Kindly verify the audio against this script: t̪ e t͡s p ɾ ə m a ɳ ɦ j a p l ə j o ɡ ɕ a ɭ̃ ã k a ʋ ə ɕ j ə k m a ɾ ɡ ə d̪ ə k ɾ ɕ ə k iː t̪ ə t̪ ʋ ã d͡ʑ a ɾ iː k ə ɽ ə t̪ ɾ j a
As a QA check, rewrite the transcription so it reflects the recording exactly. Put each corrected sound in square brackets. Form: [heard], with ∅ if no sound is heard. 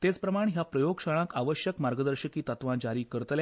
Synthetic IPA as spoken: t̪ e t͡s p ɾ ə m a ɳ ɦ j a p [ɾ] ə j o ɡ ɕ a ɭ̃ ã k a ʋ ə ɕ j ə k m a ɾ ɡ ə d̪ ə [∅] ɾ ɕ ə k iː t̪ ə t̪ ʋ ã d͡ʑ a ɾ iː k ə [ɾ] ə t̪ [l] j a